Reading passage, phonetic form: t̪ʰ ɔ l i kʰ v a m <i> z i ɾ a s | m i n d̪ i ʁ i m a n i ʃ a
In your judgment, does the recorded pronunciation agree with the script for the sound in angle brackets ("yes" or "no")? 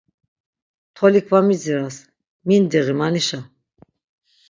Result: yes